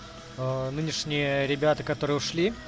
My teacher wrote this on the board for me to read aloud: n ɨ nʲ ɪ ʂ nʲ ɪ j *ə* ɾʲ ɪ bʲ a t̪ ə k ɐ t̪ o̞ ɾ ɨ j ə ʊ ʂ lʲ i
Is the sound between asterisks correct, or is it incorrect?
correct